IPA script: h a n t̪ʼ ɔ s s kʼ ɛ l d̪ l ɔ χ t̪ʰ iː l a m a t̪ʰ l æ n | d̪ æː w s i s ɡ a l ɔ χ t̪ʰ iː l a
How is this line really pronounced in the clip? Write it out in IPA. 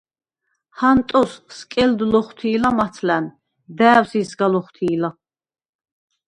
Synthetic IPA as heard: h a n t̪ʼ ɔ s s kʼ ɛ l d̪ l ɔ χ t̪ʰ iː l a m a t̪ʰ l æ n | d̪ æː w s i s ɡ a l ɔ χ t̪ʰ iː l a